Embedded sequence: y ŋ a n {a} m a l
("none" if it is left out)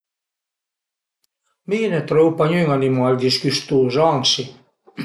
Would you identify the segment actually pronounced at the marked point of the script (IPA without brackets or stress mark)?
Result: i